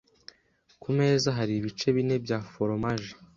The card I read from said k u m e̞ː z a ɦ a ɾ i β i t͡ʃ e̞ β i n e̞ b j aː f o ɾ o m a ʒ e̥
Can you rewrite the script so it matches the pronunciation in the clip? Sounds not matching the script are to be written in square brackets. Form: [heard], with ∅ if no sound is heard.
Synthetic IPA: k u m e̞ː z a ɦ a ɾ i β i t͡ʃ e̞ β i n e̞ b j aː f o ɾ o m a ʒ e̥